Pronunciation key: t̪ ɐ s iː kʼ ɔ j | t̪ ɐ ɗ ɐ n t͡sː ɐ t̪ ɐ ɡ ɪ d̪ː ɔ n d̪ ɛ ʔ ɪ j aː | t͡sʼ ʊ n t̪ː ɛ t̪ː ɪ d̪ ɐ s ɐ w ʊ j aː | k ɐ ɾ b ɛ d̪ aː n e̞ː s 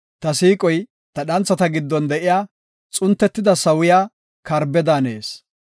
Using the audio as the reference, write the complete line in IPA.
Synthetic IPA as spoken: t̪ ɐ s iː kʼ ɔ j | t̪ ɐ ɗ ɐ n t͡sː ɐ t̪ ɐ ɡ ɪ d̪ː ɔ n d̪ ɛ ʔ ɪ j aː | t͡sʼ ʊ n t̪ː ɛ t̪ː ɪ d̪ ɐ s ɐ w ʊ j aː | k ɐ ɾ b ɛ d̪ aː n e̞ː s

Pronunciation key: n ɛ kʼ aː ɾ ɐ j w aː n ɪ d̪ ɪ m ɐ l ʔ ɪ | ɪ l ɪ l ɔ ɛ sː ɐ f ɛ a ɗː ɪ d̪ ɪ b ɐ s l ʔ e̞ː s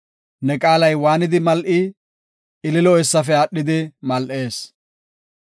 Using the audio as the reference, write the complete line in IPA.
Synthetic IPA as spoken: n ɛ kʼ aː l ɐ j w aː n ɪ d̪ ɪ m ɐ l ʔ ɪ | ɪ l ɪ l ɔ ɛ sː ɐ f ɛ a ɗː ɪ d̪ ɪ m ɐ l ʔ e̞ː s

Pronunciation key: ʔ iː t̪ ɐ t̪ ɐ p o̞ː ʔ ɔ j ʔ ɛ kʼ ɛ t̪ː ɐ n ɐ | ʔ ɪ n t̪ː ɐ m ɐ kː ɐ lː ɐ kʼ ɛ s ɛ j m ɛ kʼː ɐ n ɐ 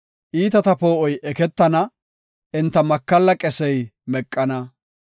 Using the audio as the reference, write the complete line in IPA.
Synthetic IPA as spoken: ʔ iː t̪ ɐ t̪ ɐ p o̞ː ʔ ɔ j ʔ ɛ k ɛ t̪ː ɐ n ɐ | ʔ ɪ n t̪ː ɐ m ɐ kː ɐ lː ɐ kʼ ɛ s ɛ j m ɛ kʼː ɐ n ɐ

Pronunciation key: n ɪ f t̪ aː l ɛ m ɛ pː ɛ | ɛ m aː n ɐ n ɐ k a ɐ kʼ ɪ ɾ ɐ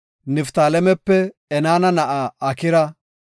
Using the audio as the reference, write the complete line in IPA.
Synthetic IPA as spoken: n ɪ f t̪ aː l ɛ m ɛ pː ɛ | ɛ n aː n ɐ n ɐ ʔ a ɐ k ɪ ɾ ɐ

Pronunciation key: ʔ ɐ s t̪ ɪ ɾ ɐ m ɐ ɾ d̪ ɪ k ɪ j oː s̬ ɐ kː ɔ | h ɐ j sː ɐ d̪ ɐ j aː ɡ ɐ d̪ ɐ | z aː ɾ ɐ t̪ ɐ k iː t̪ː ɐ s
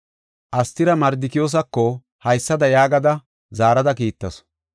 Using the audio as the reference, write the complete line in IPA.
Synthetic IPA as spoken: ʔ ɐ s t̪ ɪ ɾ ɐ m ɐ ɾ d̪ ɪ k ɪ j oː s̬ ɐ kː ɔ | h ɐ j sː ɐ d̪ ɐ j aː ɡ ɐ d̪ ɐ | z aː ɾ ɐ d̪ ɐ k iː t̪ː ɐ s

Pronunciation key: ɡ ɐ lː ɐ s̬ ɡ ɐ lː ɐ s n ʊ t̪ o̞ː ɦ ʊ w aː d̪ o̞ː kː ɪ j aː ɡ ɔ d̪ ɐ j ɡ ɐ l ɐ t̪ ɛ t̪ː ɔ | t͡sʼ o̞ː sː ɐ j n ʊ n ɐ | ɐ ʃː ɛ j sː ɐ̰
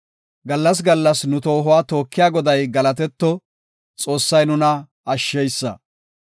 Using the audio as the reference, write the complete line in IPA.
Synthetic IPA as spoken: ɡ ɐ lː ɐ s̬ ɡ ɐ lː ɐ s n ʊ t̪ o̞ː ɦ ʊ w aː t̪ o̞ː kː ɪ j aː ɡ ɔ d̪ ɐ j ɡ ɐ l ɐ t̪ ɛ t̪ː ɔ | t͡sʼ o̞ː sː ɐ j n ʊ n ɐ | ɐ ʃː ɛ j sː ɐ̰

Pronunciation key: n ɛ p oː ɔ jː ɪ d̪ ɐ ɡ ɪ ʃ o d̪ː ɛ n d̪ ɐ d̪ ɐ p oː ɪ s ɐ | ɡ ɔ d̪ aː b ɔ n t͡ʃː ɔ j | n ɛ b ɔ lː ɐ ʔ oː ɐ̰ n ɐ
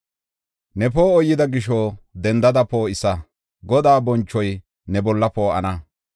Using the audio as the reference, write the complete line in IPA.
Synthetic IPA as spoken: n ɛ p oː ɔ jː ɪ d̪ ɐ ɡ ɪ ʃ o d̪ ɛ n d̪ ɐ d̪ ɐ p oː ɪ s ɐ | ɡ ɔ d̪ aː b ɔ n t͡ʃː ɔ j | n ɛ b ɔ lː ɐ p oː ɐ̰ n ɐ

